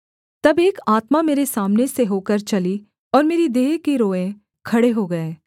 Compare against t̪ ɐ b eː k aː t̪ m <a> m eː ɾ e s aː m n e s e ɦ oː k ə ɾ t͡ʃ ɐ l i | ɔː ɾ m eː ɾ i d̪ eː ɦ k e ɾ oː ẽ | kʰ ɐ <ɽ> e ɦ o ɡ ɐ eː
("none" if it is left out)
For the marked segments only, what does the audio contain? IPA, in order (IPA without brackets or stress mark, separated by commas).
a, ɽ